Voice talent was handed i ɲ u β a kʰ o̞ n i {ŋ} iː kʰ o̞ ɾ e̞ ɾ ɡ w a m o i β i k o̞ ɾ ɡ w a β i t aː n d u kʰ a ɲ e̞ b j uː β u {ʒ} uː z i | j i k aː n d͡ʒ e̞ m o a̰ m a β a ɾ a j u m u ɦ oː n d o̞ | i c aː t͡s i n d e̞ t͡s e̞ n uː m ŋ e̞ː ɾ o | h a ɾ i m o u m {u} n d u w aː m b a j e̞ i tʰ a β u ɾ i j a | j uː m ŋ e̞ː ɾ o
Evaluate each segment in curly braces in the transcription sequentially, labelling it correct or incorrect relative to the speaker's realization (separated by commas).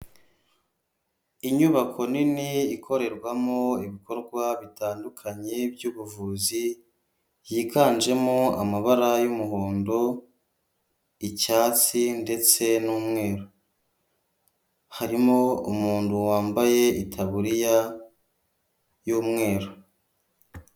incorrect, incorrect, incorrect